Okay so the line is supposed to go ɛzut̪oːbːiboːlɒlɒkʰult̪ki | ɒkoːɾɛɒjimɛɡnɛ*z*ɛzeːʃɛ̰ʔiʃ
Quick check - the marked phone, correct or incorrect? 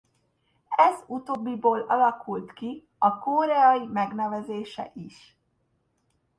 incorrect